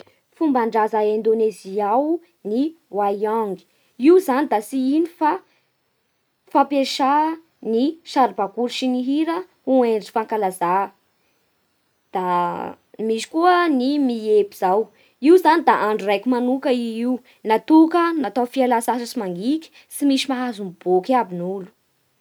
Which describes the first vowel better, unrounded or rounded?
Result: rounded